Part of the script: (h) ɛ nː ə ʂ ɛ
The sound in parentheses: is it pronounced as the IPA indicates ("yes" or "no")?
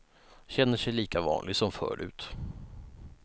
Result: no